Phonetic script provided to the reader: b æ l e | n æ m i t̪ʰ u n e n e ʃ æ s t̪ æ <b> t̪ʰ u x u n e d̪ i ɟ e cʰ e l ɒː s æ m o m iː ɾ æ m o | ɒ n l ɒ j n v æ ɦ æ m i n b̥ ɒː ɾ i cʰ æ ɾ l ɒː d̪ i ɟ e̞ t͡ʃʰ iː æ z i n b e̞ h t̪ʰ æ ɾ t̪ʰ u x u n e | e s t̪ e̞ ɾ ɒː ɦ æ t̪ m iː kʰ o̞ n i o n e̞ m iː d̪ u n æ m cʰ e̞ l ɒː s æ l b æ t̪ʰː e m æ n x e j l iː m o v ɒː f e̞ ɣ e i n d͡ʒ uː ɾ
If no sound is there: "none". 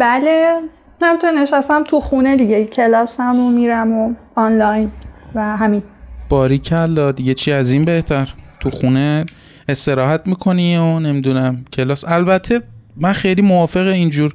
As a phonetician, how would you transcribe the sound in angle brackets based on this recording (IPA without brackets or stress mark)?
m